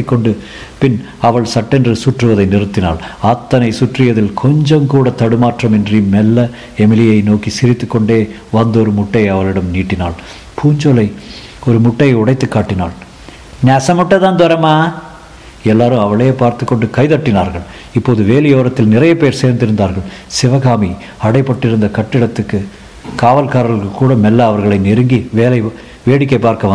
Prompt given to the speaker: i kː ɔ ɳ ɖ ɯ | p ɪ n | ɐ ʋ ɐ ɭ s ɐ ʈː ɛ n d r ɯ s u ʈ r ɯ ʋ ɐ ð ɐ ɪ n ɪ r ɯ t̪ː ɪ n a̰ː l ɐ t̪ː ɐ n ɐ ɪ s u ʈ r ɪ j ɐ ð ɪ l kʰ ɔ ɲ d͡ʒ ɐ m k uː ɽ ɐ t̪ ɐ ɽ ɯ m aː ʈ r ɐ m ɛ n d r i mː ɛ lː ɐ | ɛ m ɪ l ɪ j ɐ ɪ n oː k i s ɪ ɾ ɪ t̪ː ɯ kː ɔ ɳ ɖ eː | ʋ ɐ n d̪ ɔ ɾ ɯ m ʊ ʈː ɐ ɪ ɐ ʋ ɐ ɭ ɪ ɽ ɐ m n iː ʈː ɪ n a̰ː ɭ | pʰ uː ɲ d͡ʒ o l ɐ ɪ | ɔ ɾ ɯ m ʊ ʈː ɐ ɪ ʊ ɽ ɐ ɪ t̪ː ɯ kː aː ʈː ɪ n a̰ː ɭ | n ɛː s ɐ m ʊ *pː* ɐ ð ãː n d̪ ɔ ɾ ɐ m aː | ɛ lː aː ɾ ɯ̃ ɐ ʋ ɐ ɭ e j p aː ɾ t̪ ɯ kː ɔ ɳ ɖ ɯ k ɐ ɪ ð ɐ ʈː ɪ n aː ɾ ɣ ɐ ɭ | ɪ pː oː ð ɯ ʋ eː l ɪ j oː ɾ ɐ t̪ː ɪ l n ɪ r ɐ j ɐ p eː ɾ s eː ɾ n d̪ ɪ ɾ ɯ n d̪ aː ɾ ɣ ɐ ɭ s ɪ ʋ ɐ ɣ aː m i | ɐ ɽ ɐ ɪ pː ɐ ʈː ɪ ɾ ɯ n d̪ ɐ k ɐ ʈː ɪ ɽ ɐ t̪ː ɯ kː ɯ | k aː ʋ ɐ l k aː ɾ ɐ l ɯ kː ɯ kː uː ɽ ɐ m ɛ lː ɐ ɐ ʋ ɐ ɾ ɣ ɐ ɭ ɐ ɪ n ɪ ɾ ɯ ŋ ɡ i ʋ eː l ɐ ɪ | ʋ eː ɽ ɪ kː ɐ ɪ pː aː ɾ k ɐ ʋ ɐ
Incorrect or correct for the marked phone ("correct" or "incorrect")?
incorrect